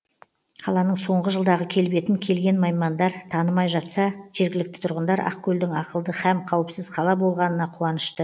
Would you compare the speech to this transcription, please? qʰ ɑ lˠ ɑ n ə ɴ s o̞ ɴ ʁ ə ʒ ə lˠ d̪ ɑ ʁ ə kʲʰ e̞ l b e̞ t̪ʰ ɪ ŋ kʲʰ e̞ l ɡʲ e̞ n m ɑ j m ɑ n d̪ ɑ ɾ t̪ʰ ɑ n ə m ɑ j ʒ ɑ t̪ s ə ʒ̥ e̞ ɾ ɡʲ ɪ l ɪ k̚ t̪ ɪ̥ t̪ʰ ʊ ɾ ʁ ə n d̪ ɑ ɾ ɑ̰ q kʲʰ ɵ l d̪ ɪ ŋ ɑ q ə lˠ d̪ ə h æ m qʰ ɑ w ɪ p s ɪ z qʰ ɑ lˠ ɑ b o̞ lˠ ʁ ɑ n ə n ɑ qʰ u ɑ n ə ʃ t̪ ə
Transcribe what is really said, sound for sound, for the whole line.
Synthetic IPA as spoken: qʰ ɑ lˠ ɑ n ə ɴ s o̞ ɴ ʁ ə ʒ ə lˠ d̪ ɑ ʁ ə kʲʰ e̞ l b e̞ t̪ ɪ ŋ kʲʰ e̞ l ɡʲ e̞ n m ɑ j m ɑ n d̪ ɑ ɾ t̪ʰ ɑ n ə m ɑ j ʒ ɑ t̪ s ɑ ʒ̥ e̞ ɾ ɡʲ ɪ l ɪ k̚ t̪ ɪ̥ t̪ʰ ʊ ɾ ʁ ə n d̪ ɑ ɾ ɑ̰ q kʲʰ ɵ l d̪ ɪ ŋ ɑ q ə lˠ d̪ ə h æ m qʰ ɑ w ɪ p s ɪ z qʰ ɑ lˠ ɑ b o̞ lˠ ʁ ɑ n ə n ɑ qʰ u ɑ n ə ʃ t̪ ə